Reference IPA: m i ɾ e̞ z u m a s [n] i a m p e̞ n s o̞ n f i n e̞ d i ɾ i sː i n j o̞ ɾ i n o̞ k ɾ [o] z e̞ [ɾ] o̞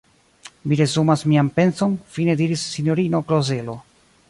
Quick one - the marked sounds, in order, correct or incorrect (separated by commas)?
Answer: incorrect, correct, incorrect